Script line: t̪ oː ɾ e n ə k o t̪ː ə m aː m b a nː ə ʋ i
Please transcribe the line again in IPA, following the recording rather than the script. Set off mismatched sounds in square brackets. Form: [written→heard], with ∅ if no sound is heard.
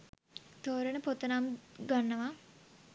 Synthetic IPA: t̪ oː ɾ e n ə [k→p] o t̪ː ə [m→n] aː m [b→ɡ] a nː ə ʋ [i→a]